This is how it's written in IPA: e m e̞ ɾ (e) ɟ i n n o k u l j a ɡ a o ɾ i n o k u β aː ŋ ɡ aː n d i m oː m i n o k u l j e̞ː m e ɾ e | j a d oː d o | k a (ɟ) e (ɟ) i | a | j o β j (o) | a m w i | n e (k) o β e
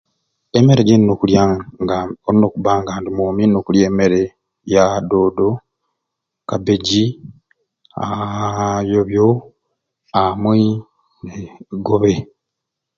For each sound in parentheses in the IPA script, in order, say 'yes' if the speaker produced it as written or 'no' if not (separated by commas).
yes, no, yes, yes, no